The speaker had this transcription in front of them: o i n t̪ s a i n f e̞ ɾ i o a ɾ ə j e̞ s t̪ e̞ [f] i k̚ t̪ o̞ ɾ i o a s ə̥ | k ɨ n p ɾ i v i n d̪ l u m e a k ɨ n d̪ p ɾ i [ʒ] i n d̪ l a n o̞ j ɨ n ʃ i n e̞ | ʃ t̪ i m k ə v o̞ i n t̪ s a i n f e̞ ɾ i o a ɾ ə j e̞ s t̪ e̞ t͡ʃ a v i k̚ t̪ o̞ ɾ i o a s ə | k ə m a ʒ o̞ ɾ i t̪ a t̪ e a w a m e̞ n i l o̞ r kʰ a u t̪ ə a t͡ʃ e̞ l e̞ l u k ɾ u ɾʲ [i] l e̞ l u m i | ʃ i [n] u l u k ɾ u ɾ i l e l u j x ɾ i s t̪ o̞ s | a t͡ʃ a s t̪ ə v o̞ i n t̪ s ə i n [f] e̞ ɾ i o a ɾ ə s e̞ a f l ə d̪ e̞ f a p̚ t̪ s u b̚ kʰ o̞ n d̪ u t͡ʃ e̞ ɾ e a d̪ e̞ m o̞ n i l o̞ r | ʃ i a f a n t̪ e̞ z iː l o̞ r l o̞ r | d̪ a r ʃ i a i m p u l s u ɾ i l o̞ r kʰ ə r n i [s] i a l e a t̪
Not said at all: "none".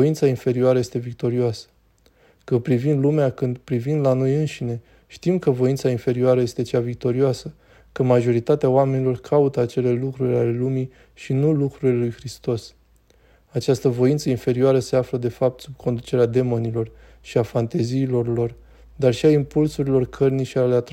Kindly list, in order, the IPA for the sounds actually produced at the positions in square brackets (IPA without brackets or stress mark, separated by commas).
v, v, a, n, f, ʃ